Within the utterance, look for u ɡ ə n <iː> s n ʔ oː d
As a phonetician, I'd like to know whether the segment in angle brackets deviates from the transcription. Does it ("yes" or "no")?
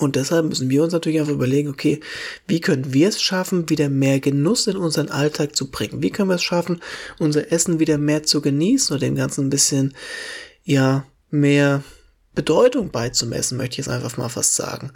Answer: no